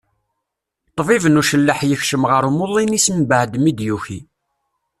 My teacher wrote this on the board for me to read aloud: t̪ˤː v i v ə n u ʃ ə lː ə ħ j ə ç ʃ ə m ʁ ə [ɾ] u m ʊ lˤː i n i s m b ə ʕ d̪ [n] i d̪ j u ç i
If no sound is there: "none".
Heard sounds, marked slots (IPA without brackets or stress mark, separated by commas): ɾ, m